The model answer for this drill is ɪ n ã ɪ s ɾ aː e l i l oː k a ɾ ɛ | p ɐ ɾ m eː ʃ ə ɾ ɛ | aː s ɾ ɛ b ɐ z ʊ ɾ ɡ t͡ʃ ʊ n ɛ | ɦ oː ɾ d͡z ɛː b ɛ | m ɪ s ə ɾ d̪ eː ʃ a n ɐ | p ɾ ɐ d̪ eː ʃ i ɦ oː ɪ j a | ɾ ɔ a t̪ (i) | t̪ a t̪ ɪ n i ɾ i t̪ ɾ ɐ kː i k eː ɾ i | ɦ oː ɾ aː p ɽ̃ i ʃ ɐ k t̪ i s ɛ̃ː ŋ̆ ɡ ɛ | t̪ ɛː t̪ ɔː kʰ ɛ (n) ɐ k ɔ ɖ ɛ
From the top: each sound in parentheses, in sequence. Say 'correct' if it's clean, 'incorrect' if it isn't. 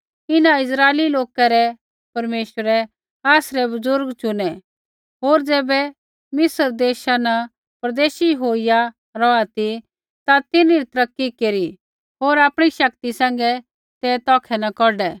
correct, correct

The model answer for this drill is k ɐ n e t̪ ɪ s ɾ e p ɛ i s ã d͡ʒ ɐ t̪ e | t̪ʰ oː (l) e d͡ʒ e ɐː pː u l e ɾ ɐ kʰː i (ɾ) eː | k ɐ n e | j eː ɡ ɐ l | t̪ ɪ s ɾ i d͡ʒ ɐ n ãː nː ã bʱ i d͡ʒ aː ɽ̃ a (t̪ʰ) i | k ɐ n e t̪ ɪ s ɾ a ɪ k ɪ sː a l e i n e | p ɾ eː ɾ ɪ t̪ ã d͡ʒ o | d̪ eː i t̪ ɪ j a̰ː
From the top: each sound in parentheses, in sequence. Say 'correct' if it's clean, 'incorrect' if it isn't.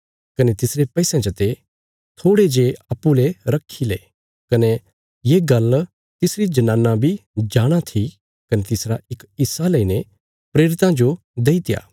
incorrect, incorrect, correct

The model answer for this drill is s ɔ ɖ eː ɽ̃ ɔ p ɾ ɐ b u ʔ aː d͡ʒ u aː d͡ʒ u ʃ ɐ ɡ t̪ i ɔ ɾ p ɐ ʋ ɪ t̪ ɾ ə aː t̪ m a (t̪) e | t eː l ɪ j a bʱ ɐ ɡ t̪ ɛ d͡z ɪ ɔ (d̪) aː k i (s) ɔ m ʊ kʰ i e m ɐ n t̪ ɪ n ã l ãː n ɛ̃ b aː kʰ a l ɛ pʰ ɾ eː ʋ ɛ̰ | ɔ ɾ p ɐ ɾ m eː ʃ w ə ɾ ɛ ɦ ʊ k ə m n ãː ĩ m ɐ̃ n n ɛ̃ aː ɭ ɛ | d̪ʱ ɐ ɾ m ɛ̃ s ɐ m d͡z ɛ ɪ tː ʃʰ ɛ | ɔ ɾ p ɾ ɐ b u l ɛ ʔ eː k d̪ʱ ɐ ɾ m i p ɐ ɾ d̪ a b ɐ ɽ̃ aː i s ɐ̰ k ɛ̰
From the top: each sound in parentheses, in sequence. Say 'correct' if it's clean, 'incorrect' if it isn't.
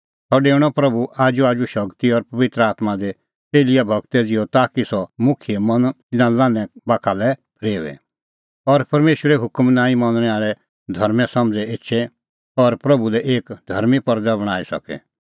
incorrect, incorrect, correct

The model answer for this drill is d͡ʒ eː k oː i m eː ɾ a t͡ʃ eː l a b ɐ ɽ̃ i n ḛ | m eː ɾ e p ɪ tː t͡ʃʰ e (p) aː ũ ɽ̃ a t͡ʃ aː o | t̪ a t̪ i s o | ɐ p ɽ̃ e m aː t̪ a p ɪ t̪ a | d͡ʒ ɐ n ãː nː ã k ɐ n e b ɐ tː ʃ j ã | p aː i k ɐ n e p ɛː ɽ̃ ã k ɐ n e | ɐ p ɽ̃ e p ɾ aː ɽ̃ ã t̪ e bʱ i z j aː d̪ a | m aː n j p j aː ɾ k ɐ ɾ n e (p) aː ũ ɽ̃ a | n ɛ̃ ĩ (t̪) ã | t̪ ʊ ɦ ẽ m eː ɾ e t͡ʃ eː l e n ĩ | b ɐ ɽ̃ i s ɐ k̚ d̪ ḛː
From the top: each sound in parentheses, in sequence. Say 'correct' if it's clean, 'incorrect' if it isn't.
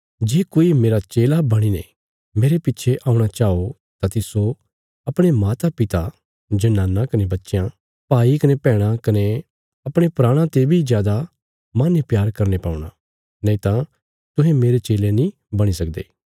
incorrect, correct, correct

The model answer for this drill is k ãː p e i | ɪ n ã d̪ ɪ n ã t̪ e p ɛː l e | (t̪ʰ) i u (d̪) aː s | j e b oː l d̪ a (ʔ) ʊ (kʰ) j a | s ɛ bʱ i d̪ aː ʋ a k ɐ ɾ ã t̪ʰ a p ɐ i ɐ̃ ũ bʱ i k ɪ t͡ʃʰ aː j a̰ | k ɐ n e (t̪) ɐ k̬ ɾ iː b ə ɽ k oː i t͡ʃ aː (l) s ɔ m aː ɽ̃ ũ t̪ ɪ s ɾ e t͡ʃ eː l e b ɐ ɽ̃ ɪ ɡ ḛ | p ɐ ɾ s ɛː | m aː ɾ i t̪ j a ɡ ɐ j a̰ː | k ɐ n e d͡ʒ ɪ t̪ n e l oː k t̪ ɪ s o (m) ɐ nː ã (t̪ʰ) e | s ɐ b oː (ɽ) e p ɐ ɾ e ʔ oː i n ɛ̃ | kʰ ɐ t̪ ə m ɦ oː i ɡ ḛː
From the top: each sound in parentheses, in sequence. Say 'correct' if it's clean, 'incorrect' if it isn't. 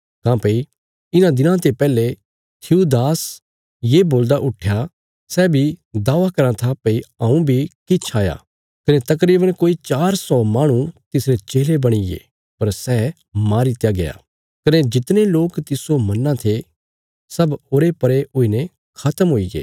correct, correct, correct, incorrect, correct, incorrect, correct, correct, incorrect

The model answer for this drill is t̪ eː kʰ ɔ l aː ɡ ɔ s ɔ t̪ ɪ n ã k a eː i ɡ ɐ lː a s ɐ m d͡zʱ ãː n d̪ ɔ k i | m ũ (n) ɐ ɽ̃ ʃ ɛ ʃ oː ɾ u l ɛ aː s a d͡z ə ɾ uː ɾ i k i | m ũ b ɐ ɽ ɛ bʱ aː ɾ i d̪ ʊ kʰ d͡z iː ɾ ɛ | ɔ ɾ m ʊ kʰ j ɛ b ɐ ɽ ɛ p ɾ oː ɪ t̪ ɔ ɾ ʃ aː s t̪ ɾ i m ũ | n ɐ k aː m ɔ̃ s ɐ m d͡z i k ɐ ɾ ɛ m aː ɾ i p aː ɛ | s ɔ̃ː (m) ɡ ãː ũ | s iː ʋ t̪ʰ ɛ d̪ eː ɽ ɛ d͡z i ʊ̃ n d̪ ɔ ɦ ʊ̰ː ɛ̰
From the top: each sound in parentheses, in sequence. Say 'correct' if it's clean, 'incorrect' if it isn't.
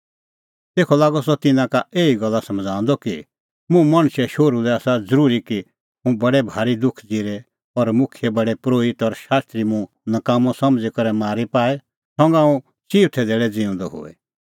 incorrect, incorrect

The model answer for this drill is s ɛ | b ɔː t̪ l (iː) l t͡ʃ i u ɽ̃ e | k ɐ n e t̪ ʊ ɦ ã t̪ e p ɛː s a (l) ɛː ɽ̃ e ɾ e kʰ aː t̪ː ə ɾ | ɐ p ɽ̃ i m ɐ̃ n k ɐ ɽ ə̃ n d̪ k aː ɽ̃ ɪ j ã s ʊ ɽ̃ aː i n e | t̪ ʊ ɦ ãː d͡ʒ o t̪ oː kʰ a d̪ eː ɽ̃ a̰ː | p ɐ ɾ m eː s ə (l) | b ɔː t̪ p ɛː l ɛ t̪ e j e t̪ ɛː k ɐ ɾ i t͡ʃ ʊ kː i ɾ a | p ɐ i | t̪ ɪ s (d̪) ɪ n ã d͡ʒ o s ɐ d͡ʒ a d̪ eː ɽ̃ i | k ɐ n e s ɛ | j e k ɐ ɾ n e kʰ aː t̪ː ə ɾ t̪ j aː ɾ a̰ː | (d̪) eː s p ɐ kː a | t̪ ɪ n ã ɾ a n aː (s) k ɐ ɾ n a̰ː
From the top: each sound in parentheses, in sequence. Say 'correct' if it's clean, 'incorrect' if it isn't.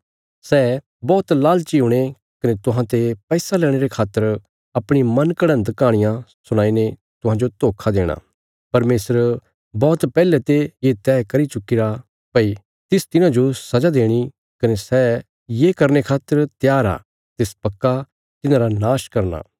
incorrect, correct, incorrect, incorrect, incorrect, incorrect

